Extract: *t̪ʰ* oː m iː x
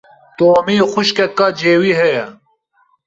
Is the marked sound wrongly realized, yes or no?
yes